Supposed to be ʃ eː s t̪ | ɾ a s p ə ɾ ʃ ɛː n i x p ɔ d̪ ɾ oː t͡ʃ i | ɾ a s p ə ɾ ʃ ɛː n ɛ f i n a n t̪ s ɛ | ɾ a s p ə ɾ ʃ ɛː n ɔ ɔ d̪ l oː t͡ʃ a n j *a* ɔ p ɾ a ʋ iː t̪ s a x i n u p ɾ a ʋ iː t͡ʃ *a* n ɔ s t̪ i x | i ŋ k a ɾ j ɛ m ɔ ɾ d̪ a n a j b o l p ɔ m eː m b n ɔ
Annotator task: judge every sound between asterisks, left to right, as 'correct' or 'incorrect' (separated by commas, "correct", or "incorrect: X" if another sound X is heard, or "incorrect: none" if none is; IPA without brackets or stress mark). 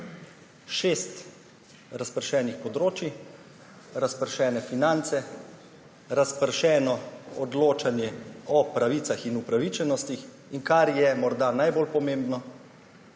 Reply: incorrect: ɛ, incorrect: ɛ